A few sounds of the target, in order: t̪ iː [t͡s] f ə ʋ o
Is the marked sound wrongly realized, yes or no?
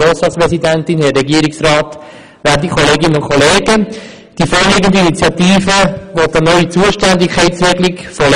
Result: yes